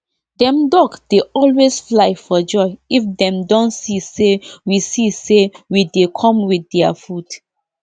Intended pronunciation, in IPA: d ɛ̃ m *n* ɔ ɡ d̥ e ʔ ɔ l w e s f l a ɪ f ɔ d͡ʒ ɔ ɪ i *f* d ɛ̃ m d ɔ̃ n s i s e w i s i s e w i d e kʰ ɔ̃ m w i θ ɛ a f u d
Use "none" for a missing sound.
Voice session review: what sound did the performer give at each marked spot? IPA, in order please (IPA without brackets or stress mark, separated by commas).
d, f